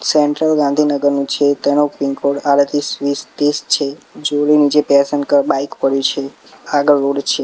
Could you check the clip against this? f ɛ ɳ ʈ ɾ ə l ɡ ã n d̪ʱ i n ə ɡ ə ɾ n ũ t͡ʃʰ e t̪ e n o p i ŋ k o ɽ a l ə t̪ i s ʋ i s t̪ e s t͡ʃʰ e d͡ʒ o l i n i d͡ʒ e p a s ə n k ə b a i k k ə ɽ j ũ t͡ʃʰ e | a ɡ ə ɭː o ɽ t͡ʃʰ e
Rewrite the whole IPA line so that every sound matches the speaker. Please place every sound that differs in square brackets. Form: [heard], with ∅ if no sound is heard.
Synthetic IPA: [s] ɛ ɳ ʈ ɾ ə l ɡ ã n d̪ʱ i n ə ɡ ə ɾ n ũ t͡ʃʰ e t̪ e n o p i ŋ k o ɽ a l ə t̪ i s ʋ i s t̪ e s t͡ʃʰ e d͡ʒ o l i n i d͡ʒ e p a s ə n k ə b a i k [p] ə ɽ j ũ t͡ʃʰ e | a ɡ ə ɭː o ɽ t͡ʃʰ e